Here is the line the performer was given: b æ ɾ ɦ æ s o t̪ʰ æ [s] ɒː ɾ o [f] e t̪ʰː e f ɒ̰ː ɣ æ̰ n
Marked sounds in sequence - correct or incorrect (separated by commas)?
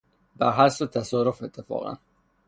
correct, correct